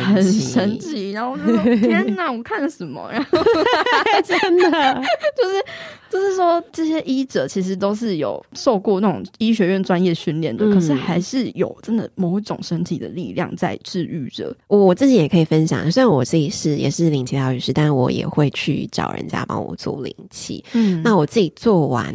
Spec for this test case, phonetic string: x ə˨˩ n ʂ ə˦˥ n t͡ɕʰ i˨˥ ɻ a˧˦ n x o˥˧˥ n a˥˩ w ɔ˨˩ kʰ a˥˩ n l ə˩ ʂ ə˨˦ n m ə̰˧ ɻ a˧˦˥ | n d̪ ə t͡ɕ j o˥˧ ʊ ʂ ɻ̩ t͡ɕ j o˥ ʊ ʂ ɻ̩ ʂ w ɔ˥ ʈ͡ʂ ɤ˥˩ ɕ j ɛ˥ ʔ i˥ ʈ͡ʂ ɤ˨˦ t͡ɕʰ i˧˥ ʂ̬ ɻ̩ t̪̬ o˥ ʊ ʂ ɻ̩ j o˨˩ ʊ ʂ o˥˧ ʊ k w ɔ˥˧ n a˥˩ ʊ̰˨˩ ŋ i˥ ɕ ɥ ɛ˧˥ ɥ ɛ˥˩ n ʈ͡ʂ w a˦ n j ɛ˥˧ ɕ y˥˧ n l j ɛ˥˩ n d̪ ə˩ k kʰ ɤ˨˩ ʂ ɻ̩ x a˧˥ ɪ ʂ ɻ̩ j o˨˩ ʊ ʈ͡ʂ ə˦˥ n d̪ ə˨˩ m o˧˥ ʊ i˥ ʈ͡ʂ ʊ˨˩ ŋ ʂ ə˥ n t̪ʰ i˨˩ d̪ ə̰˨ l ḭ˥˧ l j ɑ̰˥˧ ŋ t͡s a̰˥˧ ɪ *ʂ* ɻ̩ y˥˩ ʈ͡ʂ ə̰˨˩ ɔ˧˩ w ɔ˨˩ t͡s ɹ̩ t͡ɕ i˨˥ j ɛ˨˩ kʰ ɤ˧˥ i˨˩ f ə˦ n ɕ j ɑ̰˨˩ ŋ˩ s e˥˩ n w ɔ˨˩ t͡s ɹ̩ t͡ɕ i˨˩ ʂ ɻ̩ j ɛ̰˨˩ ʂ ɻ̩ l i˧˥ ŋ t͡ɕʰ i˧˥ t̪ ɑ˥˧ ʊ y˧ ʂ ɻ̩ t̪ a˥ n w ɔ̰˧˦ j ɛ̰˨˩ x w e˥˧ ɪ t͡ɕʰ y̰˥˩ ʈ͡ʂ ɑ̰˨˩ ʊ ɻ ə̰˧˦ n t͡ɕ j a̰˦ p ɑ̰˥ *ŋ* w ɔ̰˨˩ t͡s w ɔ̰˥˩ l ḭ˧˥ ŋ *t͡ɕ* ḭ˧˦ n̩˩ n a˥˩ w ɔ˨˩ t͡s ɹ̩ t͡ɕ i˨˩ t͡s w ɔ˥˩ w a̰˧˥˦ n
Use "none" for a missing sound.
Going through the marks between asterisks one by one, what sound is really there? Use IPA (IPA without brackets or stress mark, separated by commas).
ʈ͡ʂ, ŋ, t͡ɕʰ